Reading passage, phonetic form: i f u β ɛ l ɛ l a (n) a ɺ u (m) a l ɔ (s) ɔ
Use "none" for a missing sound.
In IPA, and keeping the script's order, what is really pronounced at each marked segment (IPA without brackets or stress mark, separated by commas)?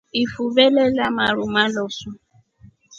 m, m, s